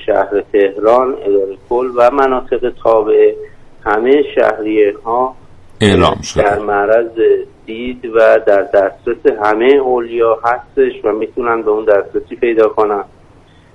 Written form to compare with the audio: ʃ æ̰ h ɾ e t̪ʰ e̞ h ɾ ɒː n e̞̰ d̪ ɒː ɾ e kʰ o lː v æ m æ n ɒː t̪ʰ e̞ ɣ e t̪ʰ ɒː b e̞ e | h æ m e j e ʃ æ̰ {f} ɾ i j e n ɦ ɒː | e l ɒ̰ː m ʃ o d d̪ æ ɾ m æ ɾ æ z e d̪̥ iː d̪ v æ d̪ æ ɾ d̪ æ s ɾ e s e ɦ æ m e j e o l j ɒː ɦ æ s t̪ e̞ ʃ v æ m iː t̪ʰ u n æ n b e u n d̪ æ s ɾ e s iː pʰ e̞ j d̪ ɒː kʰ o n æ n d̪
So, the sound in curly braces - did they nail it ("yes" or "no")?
no